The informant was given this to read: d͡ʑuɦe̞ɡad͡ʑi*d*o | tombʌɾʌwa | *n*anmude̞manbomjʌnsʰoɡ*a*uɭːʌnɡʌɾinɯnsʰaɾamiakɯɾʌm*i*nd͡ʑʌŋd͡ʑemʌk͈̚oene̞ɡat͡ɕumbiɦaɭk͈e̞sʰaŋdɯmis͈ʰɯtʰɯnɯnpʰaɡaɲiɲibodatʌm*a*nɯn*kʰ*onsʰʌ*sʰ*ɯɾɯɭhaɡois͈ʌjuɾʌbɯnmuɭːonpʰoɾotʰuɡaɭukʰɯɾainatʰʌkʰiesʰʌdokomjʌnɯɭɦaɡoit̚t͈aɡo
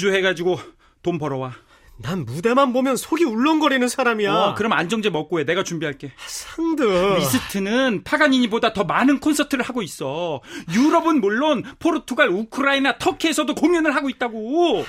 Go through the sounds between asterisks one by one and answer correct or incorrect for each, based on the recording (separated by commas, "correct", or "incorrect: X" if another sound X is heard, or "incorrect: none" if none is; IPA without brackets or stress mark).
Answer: incorrect: ɡ, correct, incorrect: i, incorrect: a, correct, correct, incorrect: tʰ